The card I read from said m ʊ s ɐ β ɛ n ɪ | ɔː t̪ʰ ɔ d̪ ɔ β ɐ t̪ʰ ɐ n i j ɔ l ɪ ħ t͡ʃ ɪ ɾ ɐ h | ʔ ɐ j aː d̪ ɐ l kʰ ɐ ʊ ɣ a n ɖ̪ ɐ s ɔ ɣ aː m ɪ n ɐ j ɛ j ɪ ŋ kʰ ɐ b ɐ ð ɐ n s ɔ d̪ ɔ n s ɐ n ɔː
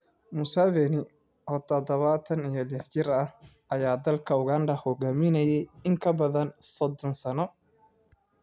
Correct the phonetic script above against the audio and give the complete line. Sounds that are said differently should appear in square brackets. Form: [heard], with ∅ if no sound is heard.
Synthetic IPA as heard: m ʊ s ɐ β ɛ n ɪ | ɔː t̪ʰ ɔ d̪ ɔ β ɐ t̪ʰ ɐ n i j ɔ l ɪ ħ t͡ʃ ɪ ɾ ɐ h | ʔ ɐ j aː d̪ ɐ l kʰ ɐ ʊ ɣ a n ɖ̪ ɐ [h] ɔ ɣ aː m ɪ n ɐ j ɛ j ɪ ŋ kʰ ɐ b ɐ ð ɐ n s ɔ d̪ ɔ n s ɐ n [ɔ]